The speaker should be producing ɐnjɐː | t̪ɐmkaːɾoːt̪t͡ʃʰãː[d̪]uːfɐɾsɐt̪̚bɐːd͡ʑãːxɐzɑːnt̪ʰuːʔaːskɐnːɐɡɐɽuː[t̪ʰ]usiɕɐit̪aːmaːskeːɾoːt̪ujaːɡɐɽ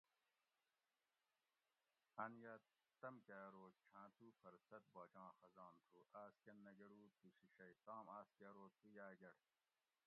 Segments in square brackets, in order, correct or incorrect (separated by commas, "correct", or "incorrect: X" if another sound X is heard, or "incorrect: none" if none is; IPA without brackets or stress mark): incorrect: t̪, incorrect: t̪